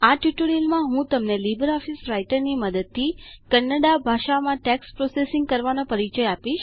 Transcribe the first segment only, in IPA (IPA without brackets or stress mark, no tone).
a